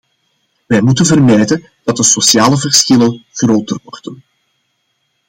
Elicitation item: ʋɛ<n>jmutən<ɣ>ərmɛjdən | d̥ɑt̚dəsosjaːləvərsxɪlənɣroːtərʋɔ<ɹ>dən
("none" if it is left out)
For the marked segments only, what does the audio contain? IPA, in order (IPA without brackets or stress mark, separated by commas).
none, v, r